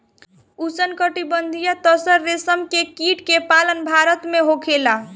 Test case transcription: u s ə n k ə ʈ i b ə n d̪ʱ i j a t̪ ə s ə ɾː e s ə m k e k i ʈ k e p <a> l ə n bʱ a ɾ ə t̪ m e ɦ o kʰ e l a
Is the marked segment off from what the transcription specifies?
no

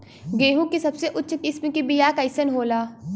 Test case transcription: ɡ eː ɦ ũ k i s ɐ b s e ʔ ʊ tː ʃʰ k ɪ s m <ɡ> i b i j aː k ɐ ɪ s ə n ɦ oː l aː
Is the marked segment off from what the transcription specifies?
yes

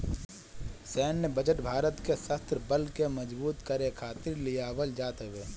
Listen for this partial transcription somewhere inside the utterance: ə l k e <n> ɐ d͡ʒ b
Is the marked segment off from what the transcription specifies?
yes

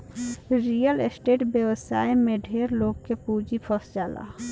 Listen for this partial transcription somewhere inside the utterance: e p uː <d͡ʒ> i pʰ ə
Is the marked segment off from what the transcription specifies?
no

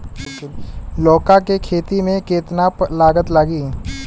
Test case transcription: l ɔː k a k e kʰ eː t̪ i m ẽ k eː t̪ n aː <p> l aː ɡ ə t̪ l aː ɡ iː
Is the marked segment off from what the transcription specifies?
no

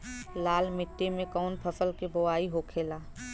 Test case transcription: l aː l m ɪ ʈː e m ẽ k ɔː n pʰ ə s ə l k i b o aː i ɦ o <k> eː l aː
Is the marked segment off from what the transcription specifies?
yes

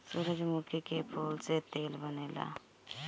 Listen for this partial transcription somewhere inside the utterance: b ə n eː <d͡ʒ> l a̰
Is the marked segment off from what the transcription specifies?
yes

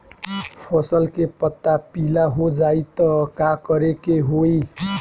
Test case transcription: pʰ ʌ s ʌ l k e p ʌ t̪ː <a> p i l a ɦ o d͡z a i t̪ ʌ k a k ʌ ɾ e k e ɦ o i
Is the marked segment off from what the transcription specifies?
no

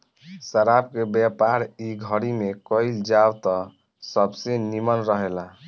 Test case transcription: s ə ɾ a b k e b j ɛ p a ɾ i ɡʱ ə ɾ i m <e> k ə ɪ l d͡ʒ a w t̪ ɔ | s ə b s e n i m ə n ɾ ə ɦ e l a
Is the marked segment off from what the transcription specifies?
no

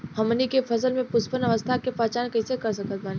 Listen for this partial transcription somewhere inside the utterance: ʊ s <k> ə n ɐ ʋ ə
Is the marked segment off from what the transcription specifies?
yes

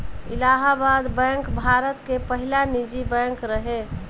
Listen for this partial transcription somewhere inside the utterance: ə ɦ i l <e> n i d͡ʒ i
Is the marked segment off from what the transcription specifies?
yes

